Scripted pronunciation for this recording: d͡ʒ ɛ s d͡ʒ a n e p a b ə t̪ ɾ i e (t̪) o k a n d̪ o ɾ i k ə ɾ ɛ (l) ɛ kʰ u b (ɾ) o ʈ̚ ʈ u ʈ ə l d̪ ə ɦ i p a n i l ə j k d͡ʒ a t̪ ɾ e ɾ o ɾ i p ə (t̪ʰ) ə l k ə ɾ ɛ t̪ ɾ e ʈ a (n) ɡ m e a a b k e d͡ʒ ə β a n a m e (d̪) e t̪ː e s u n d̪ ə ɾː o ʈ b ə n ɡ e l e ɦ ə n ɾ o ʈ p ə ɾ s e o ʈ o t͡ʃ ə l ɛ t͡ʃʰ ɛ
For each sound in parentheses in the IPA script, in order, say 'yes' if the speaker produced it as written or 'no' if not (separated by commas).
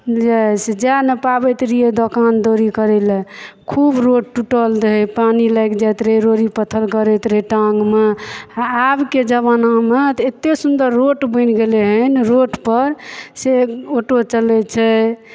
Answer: no, yes, yes, yes, no, no